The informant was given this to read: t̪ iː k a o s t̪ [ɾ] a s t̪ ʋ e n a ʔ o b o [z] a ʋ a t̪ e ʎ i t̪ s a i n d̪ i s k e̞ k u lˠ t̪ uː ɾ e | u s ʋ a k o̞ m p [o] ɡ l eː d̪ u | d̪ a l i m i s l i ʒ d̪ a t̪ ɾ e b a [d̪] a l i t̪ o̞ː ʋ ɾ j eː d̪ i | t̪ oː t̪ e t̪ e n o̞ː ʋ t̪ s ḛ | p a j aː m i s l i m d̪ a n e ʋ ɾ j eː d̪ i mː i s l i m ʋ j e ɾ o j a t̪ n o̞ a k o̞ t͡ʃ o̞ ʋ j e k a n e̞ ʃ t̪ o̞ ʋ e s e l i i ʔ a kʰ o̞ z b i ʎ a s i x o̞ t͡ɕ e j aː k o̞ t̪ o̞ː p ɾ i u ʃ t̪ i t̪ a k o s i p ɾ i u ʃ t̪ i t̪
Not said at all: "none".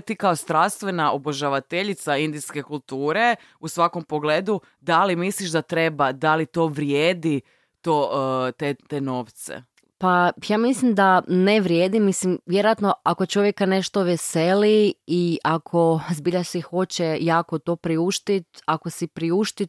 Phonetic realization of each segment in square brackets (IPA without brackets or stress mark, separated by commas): ɾ, ʒ, o, d̪